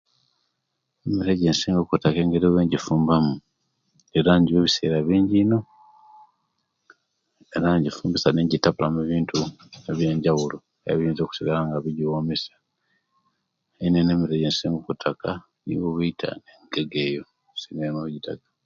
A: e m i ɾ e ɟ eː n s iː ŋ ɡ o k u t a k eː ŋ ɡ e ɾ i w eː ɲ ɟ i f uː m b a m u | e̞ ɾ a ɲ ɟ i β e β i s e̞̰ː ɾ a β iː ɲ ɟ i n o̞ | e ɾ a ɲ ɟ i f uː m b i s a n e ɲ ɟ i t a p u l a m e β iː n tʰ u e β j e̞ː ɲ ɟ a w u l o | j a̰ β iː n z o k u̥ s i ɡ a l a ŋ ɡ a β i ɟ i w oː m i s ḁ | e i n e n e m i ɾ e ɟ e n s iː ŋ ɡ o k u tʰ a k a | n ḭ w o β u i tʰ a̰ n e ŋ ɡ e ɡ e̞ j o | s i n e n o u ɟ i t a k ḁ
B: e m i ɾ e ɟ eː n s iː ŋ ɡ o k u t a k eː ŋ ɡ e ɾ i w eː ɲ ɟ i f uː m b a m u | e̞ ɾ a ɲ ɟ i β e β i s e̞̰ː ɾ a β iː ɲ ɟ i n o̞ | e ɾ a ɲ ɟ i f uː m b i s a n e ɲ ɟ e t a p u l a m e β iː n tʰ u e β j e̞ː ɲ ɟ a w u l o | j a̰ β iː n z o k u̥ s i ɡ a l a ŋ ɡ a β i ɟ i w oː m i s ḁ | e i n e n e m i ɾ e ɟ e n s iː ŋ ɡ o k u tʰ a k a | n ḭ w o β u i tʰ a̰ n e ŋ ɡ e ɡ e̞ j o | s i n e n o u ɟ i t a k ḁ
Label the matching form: A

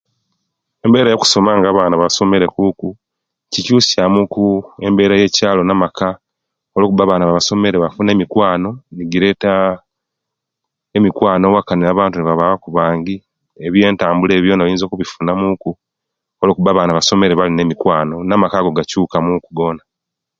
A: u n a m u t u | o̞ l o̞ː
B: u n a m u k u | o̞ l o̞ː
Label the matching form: B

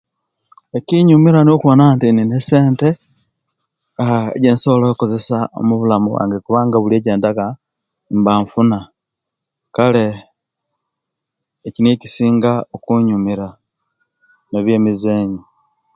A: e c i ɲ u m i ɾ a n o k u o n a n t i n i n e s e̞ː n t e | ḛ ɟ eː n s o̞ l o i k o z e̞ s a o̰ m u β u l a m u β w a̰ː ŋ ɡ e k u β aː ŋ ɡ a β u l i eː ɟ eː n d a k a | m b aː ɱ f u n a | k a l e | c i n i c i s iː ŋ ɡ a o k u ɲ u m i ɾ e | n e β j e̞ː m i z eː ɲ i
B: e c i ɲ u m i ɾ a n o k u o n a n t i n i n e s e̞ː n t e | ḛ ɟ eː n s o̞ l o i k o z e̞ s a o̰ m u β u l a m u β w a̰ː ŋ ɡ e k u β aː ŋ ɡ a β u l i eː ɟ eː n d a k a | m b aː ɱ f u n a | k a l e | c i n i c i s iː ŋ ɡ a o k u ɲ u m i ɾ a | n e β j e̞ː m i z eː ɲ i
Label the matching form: B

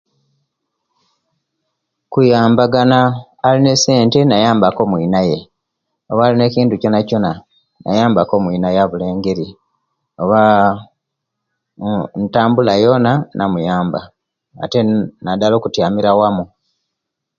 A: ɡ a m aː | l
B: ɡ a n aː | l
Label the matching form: B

